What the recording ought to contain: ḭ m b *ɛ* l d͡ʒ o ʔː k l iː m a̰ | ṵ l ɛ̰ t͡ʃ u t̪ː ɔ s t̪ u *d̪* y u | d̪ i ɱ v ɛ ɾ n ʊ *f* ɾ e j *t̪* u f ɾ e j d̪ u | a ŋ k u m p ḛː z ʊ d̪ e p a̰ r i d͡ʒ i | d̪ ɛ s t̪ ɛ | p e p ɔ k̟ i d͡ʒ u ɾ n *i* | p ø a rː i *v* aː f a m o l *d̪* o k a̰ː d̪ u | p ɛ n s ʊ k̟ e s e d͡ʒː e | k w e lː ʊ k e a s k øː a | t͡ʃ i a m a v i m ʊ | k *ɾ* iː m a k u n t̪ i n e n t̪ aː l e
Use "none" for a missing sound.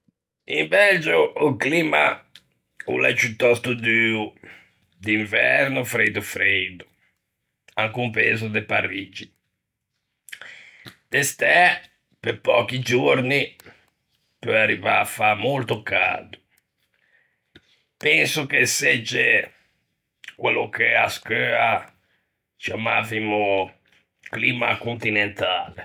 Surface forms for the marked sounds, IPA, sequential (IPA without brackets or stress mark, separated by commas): ɛ, d̪, f, d̪, i, v, t̪, l